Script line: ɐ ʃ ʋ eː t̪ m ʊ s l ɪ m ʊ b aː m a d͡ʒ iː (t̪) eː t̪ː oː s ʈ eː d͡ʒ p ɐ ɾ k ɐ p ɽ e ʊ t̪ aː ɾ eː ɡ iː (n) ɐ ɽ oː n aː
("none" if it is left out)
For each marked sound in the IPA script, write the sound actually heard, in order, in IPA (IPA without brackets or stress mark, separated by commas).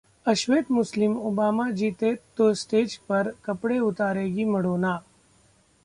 t̪, m